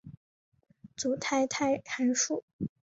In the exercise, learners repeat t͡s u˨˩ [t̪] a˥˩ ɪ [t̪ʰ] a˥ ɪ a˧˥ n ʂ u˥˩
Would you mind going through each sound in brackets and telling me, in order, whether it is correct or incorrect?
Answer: incorrect: t̪ʰ, correct

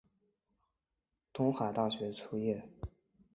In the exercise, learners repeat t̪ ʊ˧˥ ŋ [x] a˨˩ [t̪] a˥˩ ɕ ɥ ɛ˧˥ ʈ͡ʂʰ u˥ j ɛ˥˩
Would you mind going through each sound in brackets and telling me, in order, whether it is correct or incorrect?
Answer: correct, correct

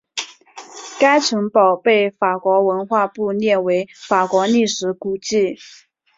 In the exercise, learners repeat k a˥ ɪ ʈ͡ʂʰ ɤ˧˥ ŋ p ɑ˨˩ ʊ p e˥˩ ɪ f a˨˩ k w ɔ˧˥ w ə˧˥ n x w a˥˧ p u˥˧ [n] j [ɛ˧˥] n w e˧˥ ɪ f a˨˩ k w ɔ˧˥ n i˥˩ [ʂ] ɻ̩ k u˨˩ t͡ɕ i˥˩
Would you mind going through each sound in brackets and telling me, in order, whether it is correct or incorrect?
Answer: correct, incorrect: ɛ˥˩, correct

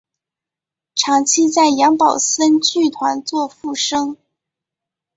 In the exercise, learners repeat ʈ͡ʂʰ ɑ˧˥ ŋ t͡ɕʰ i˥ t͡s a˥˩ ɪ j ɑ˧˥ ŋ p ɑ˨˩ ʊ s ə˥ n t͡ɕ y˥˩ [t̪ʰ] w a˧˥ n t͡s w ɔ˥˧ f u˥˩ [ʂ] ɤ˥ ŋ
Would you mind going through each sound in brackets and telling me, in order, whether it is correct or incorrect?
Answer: correct, correct

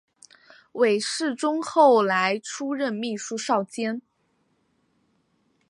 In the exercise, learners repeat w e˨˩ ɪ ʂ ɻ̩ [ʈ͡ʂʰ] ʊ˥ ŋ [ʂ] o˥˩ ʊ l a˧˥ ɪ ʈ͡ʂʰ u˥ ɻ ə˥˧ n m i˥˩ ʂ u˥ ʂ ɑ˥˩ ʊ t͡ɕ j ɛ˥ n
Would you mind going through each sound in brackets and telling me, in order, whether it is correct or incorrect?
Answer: incorrect: ʈ͡ʂ, incorrect: x

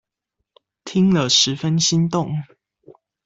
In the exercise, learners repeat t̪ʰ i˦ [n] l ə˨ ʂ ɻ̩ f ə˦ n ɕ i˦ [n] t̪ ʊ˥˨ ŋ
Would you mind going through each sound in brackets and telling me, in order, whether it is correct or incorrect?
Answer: incorrect: ŋ, correct

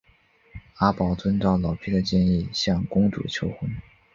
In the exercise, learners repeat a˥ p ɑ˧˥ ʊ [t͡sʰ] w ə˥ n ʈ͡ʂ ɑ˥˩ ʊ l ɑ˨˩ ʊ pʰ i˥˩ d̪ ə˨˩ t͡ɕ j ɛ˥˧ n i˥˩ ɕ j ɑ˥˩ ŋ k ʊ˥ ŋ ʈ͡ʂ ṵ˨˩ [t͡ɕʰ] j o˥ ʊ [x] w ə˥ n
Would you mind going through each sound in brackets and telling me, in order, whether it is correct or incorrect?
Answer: incorrect: t͡s, correct, correct

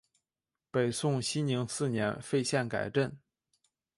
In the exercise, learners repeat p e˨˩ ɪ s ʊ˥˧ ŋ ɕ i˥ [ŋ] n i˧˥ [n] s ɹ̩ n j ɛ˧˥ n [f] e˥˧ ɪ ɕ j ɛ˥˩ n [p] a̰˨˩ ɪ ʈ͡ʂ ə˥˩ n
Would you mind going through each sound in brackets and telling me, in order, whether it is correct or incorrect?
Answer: incorrect: n, incorrect: ŋ, correct, incorrect: k

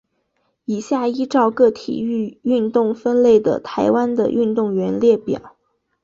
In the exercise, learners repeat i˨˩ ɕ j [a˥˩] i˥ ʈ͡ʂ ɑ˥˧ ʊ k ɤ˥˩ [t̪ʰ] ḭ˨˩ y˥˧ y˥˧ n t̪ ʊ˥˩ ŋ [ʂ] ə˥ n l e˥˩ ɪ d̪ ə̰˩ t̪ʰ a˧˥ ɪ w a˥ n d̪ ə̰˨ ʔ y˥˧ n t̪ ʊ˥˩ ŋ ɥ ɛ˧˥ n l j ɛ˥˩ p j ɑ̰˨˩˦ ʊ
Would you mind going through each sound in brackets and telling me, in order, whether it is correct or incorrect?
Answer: correct, correct, incorrect: f

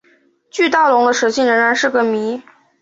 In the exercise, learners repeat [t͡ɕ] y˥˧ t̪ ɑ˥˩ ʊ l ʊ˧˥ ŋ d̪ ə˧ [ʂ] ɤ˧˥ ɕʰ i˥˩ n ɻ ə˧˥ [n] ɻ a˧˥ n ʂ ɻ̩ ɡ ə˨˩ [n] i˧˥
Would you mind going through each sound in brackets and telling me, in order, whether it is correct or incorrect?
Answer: correct, correct, incorrect: ŋ, incorrect: m

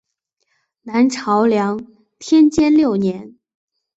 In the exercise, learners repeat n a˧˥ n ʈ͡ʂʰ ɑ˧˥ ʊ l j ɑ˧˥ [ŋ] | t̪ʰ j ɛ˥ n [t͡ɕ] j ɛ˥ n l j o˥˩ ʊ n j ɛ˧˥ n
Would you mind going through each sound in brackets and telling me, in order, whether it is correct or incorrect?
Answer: correct, correct

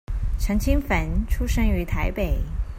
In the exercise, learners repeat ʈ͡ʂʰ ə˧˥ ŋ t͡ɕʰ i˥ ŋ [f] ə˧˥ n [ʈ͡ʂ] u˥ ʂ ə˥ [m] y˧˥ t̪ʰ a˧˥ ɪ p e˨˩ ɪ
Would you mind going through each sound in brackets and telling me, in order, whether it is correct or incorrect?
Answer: correct, incorrect: ʈ͡ʂʰ, incorrect: ŋ

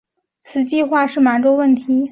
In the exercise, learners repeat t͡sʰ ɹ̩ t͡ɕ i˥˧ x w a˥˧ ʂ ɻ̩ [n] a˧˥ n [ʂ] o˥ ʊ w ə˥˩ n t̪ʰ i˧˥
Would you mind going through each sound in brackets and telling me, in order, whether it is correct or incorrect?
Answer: incorrect: m, incorrect: ʈ͡ʂ

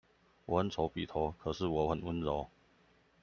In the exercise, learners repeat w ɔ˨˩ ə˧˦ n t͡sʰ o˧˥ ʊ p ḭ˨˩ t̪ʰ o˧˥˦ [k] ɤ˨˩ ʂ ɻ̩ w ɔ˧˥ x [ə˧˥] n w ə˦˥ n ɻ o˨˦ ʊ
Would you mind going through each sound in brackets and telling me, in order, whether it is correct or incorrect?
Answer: incorrect: kʰ, incorrect: ə˨˩

